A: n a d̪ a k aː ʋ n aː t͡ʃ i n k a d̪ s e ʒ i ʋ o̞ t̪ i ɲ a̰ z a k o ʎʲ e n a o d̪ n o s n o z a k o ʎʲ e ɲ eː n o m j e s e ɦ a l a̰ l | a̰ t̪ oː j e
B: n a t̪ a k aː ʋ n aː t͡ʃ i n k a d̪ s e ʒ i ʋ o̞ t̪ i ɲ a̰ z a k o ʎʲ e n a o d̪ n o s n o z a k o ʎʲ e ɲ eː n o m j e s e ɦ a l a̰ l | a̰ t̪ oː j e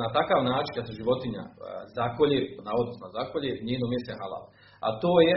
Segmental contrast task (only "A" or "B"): B